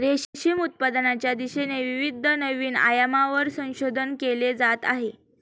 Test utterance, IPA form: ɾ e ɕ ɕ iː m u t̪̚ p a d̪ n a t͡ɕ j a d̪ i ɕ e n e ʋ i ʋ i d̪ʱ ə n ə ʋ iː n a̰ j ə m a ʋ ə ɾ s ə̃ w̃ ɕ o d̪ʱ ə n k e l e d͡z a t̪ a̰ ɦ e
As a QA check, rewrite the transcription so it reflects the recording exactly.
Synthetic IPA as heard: ɾ e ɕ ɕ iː m u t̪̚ p a d̪ n a t͡ɕ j a d̪ i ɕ e n e ʋ i ʋ i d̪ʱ ə n ə ʋ iː n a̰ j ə m a ʋ ə ɾ s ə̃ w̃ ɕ o d̪ʱ ə n k e l e d͡z a t̪ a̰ ɦ e

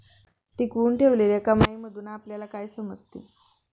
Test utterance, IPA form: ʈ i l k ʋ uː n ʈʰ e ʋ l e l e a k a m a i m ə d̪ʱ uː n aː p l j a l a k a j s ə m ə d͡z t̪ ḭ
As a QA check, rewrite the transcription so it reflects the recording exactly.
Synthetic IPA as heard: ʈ i k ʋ uː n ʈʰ e ʋ l e l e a k a m a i m ə d̪ʱ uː n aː p l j a l a k a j s ə m ə d͡z t̪ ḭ

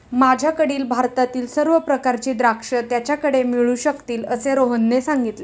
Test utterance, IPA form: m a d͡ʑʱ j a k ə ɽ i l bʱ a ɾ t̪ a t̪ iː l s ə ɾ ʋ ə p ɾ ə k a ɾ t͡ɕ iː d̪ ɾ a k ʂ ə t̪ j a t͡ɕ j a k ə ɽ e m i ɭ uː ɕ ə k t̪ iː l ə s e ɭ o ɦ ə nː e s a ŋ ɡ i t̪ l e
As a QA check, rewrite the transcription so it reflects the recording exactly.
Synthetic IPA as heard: m a d͡ʑʱ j a k ə ɽ iː l bʱ a ɾ t̪ a t̪ iː l s ə ɾ ʋ ə p ɾ ə k a ɾ t͡ɕ iː d̪ ɾ a k ʂ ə t̪ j a t͡ɕ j a k ə ɽ e m i ɭ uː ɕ ə k t̪ iː l ə s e ɾ o ɦ ə nː e s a ŋ ɡ i t̪ l e

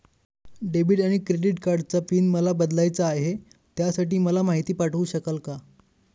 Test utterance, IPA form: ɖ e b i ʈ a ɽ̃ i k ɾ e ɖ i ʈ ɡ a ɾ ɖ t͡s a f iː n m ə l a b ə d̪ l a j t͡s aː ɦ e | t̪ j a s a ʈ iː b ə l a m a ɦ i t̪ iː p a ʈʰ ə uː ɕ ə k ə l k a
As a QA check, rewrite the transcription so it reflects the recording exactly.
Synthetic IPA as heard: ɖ e b i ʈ a ɽ̃ i k ɾ e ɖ i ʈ k a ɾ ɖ t͡s a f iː n m ə l a b ə d̪ l a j t͡s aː ɦ e | t̪ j a s a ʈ iː m ə l a m a ɦ i t̪ iː p a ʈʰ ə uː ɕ ə k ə l k a

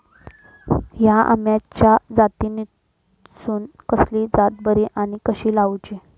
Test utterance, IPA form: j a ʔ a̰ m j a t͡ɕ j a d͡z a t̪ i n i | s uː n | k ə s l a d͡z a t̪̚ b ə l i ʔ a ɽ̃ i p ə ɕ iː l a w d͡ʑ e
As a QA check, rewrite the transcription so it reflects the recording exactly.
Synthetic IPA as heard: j a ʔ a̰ m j a t͡ɕ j a d͡z a t̪ i n i | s uː n | k ə s l i d͡z a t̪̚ b ə ɾ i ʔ a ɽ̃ i k ə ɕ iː l a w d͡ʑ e

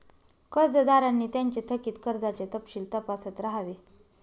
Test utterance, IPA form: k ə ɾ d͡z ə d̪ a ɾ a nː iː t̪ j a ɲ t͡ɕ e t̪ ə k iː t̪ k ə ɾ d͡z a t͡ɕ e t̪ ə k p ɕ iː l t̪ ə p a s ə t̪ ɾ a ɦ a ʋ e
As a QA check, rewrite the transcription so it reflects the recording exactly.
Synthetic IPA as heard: k ə ɾ d͡z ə d̪ a ɾ a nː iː t̪ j a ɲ t͡ɕ e t̪ʰ ə k iː t̪ k ə ɾ d͡z a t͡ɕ e t̪ ə p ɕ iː l t̪ ə p a s ə t̪ ɾ a ɦ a ʋ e

